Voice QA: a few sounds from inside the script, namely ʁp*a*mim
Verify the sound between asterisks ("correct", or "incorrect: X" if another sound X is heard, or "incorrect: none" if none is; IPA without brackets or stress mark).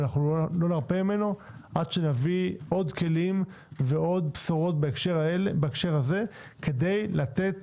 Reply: incorrect: e